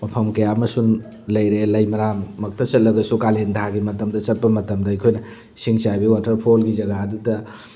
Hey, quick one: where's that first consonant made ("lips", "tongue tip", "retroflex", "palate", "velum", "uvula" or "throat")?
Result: lips